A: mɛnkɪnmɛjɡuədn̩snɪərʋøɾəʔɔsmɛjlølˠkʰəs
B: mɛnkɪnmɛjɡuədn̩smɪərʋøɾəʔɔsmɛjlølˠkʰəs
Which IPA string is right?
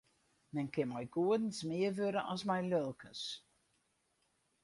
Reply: B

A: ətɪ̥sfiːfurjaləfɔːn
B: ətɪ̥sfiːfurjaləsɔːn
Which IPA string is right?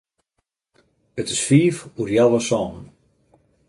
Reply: B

